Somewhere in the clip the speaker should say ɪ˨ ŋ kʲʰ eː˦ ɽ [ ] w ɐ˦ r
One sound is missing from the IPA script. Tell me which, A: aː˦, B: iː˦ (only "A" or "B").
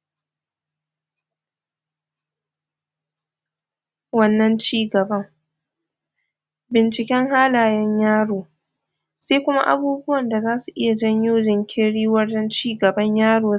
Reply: B